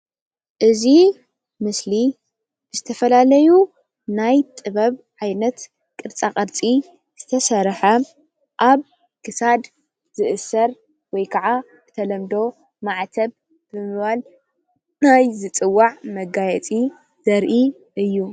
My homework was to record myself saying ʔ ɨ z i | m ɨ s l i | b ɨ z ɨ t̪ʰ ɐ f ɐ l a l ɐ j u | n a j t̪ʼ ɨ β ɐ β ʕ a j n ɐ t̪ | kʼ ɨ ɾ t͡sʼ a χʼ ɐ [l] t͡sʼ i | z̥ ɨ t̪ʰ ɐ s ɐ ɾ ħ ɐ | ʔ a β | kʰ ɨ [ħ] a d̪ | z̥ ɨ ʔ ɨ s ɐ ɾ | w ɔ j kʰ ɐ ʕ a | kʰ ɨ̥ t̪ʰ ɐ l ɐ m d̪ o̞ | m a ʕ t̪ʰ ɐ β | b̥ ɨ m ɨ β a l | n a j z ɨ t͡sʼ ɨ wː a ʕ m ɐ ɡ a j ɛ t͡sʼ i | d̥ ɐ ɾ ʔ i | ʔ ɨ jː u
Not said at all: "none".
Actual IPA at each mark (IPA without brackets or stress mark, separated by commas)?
ɾ, s